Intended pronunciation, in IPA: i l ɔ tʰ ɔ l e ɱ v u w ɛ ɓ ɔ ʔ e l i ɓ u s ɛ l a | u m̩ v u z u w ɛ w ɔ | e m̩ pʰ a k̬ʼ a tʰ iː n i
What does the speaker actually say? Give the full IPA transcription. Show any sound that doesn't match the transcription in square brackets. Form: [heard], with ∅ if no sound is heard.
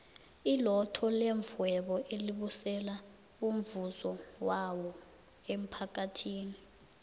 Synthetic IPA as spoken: i l ɔ tʰ ɔ l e ɱ v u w ɛ ɓ ɔ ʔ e l i ɓ u s ɛ l a | u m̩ v u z [ɔ] w [a] w ɔ | e m̩ pʰ a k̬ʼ a tʰ iː n i